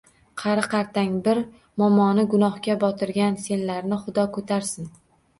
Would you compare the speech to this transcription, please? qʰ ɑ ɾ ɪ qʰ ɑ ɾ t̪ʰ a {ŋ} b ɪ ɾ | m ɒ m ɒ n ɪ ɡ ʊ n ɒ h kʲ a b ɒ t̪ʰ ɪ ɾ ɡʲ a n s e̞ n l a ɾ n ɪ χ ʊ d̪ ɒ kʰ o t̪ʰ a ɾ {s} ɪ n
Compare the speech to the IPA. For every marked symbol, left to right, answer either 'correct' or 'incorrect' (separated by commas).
correct, correct